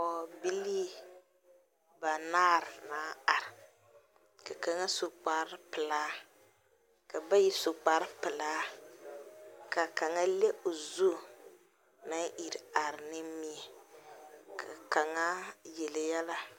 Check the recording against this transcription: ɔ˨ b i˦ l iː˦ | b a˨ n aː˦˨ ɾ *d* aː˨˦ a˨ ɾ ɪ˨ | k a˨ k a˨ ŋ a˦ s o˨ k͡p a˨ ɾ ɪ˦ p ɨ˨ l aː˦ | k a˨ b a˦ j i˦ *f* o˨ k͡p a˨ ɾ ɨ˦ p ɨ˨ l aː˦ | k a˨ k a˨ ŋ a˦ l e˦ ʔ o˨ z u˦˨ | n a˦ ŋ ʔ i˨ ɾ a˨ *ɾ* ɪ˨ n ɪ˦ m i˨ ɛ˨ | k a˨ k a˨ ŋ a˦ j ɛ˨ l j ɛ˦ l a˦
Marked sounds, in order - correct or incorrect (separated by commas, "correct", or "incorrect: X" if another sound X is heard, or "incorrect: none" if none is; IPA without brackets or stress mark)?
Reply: incorrect: n, incorrect: s, correct